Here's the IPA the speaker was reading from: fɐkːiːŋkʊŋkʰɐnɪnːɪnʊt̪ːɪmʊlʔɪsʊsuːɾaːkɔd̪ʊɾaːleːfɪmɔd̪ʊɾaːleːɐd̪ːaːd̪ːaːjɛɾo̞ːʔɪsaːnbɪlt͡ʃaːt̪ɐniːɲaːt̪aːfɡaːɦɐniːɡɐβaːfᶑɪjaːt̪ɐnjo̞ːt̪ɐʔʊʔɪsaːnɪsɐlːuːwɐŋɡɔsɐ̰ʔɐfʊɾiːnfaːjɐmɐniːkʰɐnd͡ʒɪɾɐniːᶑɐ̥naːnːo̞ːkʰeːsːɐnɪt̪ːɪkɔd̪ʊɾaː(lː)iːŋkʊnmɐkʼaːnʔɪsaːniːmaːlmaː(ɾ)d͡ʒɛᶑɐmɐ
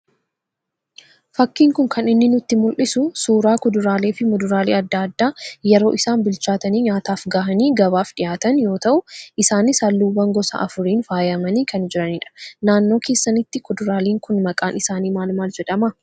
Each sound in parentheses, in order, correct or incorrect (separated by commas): incorrect, incorrect